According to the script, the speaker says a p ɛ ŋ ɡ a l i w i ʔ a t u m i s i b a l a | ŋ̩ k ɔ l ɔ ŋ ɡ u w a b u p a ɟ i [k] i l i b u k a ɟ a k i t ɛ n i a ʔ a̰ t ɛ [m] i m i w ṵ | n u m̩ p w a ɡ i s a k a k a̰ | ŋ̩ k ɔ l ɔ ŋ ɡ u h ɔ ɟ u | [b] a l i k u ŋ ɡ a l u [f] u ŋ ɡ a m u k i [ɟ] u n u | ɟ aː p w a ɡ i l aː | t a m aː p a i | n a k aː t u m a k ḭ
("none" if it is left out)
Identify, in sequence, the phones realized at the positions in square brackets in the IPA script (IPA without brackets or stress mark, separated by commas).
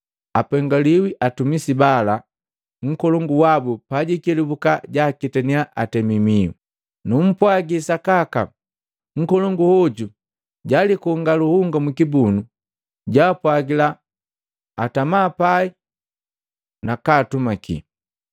k, m, ɟ, h, b